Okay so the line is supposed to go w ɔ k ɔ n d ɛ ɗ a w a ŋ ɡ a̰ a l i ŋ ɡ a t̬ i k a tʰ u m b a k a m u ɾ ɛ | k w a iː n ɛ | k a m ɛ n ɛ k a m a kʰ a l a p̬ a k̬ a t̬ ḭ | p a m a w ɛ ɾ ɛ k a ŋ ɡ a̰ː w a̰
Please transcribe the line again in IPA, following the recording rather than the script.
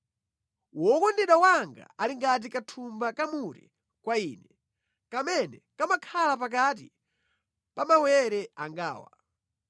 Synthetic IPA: w ɔ k ɔ n d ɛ ɗ a w a ŋ ɡ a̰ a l i ŋ ɡ a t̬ i k a tʰ u m b a k a m u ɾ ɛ | k w a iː n ɛ | k a m ɛ n ɛ k a m a kʰ a l a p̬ a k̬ a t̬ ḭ | p a m a w ɛ ɾ ɛ a ŋ ɡ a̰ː w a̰